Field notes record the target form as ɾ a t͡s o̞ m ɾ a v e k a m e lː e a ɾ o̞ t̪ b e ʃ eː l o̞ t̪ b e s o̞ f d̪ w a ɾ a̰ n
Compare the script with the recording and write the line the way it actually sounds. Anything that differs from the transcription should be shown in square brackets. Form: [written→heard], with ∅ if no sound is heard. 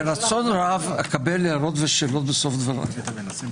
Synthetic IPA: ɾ a t͡s o̞ [m→n] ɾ a v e k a [m→b] e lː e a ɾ o̞ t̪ [b→v] e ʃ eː l o̞ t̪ b e s o̞ f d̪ [w→v] a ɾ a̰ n